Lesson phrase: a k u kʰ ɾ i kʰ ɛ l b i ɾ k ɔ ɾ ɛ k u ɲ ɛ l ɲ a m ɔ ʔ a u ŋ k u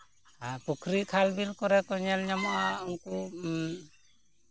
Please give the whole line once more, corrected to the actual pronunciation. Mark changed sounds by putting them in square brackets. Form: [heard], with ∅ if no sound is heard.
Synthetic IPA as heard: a [p] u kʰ ɾ i kʰ [a] l b i [l] k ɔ ɾ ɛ k [ɔ] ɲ ɛ l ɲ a m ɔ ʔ a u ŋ k u